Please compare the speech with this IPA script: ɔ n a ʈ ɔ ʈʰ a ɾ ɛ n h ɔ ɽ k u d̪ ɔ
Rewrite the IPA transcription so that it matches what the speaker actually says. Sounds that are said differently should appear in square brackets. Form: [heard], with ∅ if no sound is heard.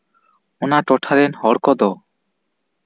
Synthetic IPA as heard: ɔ n a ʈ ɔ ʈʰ a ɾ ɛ n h ɔ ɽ k [ɔ] d̪ ɔ